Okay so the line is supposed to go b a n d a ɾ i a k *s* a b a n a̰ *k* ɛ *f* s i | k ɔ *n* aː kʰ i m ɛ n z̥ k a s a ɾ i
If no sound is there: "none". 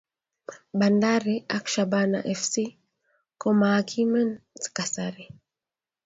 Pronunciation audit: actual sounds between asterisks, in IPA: ʃ, ʔ, f, m

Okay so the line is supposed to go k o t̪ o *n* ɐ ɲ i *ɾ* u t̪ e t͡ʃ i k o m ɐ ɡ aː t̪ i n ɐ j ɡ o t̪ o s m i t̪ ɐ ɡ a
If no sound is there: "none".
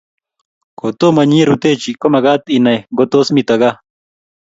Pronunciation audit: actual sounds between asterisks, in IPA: m, ɾ

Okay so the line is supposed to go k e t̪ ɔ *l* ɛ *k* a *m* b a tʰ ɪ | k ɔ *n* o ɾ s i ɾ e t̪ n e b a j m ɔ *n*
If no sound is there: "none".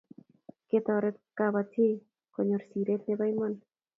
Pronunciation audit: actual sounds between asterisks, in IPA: ɾ, k, none, ɲ, n

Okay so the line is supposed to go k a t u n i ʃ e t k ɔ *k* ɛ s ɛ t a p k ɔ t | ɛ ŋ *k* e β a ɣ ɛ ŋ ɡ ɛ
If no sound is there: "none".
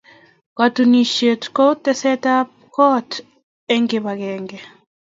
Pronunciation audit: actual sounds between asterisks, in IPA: t, ɡ

